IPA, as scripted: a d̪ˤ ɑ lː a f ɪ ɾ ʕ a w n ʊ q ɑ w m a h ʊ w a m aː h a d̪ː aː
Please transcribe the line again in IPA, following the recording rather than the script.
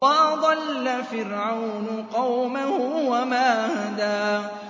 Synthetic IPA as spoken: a d̪ˤ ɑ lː a f ɪ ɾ ʕ a w n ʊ q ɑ w m a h ʊ w a m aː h a d̪ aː